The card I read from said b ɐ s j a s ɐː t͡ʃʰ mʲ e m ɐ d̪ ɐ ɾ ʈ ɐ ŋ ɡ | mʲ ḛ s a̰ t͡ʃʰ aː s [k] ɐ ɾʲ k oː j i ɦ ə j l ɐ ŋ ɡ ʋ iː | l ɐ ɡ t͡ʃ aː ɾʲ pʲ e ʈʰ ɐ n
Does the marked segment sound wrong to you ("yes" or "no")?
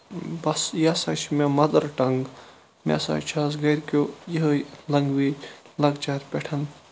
yes